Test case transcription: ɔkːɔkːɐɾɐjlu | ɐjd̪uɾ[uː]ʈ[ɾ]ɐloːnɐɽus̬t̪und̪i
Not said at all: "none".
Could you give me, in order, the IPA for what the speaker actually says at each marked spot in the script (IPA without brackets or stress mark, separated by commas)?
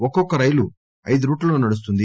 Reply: uː, l